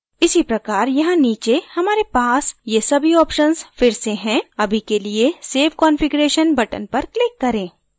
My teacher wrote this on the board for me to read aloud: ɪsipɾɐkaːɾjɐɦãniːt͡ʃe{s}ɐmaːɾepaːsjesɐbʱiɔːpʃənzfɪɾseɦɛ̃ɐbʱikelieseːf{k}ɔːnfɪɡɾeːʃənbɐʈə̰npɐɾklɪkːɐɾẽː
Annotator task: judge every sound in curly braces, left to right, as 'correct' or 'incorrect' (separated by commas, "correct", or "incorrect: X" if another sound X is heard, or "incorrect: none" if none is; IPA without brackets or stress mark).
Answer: incorrect: h, correct